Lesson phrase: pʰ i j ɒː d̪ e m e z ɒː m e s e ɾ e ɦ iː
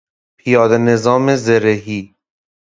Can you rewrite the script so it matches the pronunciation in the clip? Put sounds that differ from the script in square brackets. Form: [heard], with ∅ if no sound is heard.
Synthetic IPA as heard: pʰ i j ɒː d̪ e [n] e z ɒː m e [z] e ɾ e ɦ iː